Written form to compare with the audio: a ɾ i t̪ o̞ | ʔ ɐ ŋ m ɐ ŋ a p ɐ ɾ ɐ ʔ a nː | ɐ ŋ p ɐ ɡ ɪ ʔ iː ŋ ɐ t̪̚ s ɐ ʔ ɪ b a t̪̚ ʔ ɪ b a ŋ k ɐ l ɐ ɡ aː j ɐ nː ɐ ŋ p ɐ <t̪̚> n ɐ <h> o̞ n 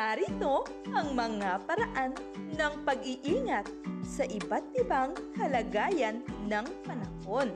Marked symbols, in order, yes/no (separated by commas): no, yes